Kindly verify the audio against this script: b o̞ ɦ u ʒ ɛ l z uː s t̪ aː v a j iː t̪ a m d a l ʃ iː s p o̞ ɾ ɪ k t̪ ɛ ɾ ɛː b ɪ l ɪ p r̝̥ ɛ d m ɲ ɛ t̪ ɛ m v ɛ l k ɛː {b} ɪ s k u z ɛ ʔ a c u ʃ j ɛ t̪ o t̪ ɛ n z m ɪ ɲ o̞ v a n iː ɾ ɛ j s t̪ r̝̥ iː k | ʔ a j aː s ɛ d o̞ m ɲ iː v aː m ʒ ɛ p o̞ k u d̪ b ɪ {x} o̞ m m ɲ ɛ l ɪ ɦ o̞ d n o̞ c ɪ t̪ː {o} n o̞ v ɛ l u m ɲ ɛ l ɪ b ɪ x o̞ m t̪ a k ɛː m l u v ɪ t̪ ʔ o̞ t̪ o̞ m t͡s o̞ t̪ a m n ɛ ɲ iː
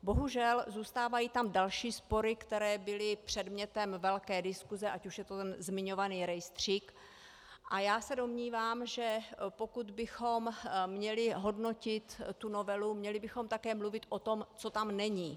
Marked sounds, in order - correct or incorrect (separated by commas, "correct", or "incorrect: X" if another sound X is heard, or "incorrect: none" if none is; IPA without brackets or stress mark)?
incorrect: d, correct, incorrect: u